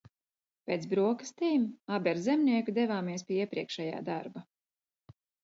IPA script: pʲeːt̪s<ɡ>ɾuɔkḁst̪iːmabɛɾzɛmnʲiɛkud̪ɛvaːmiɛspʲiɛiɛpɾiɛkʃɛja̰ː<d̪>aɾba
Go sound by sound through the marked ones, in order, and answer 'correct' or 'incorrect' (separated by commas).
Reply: incorrect, correct